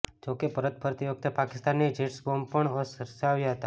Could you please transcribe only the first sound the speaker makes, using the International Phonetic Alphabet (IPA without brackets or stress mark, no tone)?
d͡ʒ